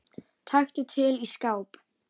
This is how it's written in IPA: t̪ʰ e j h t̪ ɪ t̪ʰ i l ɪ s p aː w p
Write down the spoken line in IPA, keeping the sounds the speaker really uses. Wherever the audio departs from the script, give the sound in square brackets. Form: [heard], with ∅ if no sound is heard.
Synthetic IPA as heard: t̪ʰ [a] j [x] t̪ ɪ t̪ʰ [ɪ] l [i] s [k] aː w p